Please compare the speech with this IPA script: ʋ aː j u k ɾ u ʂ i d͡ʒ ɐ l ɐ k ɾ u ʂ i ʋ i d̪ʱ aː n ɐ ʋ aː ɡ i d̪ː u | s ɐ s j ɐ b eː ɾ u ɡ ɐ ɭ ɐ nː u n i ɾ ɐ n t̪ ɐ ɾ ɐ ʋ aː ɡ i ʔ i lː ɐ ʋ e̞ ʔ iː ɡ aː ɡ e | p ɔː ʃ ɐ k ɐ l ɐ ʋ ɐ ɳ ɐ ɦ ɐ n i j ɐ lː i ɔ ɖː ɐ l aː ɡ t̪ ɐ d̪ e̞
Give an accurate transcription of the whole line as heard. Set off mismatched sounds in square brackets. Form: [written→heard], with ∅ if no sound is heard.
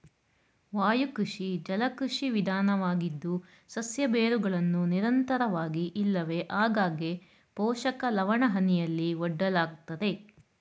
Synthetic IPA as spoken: ʋ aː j u k ɾ u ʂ i d͡ʒ ɐ l ɐ k ɾ u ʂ i ʋ i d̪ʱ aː n ɐ ʋ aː ɡ i d̪ː u | s ɐ s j ɐ b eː ɾ u ɡ ɐ ɭ ɐ nː u n i ɾ ɐ n t̪ ɐ ɾ ɐ ʋ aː ɡ i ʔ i lː ɐ ʋ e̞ ʔ [iː→aː] ɡ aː ɡ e | p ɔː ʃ ɐ k ɐ l ɐ ʋ ɐ ɳ ɐ ɦ ɐ n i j ɐ lː i ɔ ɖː ɐ l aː ɡ t̪ ɐ d̪ e̞